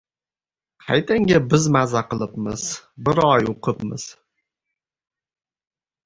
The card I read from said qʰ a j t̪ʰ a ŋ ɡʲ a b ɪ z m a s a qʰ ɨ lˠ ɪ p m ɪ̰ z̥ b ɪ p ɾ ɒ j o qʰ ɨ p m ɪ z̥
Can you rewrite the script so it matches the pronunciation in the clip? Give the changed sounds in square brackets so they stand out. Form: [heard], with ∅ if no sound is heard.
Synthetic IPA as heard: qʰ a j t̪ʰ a ŋ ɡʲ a b ɪ z m a [z] a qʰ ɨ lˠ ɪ p m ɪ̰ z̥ b ɪ [∅] ɾ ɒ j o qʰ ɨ p m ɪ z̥